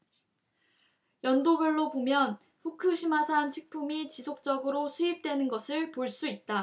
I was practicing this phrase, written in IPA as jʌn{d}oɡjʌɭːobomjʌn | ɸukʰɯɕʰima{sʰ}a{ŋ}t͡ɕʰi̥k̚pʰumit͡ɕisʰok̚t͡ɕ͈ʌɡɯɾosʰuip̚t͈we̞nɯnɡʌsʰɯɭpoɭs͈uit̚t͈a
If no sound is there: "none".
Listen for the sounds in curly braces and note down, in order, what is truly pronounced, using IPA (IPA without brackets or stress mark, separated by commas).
d, sʰ, n